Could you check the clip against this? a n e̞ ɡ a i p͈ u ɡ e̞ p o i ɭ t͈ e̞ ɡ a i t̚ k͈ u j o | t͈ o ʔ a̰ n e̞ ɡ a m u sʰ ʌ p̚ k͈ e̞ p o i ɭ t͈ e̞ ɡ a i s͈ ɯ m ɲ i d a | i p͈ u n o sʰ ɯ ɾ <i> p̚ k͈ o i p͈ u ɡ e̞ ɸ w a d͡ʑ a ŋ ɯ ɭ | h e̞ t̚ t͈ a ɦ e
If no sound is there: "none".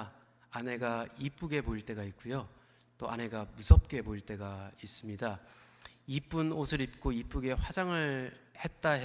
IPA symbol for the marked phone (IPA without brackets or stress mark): i